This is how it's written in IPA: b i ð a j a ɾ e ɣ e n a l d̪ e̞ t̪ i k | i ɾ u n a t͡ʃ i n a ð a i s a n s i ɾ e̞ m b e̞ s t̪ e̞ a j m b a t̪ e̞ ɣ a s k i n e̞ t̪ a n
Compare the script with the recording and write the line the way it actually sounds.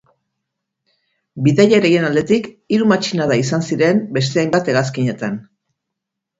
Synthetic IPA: b i ð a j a ɾ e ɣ e n a l d̪ e̞ t̪ i k | i ɾ u m a t͡ʃ i n a ð a i s a n s i ɾ e̞ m b e̞ s t̪ e̞ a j m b a t̪ e̞ ɣ a s k i ɲ e̞ t̪ a n